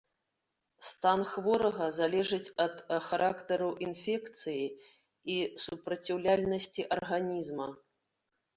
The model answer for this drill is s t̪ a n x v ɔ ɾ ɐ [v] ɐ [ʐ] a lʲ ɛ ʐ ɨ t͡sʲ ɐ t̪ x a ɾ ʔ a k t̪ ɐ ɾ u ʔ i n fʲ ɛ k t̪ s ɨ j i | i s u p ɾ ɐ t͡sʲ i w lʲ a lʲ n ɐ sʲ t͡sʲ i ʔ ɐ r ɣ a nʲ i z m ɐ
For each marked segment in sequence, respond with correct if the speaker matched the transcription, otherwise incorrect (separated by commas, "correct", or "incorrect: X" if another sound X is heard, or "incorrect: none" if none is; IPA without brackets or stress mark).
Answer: incorrect: ɣ, incorrect: z